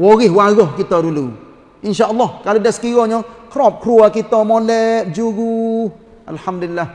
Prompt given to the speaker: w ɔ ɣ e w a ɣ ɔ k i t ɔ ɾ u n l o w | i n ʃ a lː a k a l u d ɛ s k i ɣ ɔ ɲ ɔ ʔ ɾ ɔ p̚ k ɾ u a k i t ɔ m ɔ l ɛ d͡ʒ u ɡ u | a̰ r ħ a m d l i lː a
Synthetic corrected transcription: w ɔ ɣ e w a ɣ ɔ k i t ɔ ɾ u l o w | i n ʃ a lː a k a l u d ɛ s k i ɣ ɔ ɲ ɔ k ɾ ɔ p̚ k ɾ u a k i t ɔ m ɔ l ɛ d͡ʒ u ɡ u | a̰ l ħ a m d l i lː a